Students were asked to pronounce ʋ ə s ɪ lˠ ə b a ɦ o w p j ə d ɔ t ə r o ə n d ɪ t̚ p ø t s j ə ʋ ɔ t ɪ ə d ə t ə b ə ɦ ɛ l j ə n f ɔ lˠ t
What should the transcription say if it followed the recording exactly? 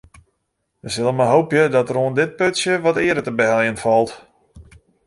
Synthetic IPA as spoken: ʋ ə s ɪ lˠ ə m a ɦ o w p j ə d ɔ t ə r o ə n d ɪ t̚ p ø t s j ə ʋ ɔ t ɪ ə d ə t ə b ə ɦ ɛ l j ə n f ɔ lˠ t